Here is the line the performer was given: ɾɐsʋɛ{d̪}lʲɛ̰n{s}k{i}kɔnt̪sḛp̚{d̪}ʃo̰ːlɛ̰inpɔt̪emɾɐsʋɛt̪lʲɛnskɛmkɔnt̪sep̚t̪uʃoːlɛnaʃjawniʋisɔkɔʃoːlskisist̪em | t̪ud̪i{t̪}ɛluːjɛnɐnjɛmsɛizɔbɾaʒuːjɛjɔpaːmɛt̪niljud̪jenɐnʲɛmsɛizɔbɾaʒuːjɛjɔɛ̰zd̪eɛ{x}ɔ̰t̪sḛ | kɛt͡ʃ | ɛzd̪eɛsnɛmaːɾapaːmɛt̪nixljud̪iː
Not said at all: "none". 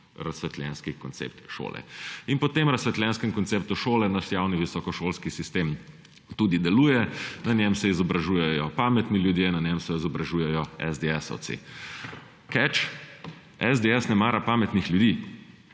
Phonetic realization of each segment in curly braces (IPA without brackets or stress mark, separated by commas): t̪, s, i, t̪, d̪, s